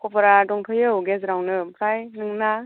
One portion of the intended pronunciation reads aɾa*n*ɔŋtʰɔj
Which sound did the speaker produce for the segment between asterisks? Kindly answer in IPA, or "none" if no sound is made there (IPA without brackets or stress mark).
d